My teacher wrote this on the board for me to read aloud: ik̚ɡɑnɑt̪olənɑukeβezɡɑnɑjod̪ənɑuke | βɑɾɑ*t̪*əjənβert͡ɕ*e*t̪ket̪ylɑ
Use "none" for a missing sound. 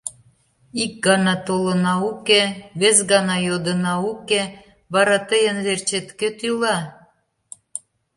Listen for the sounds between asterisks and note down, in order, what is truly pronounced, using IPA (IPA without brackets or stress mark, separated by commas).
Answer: t̪, e